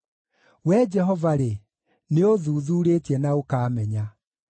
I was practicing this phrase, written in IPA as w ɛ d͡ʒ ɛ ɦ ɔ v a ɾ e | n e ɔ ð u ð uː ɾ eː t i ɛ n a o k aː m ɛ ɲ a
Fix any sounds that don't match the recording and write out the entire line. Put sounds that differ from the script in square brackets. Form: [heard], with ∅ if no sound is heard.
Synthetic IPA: w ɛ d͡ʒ ɛ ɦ ɔ v a ɾ e | n e [o] ð u ð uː ɾ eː t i ɛ n a o k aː m ɛ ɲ a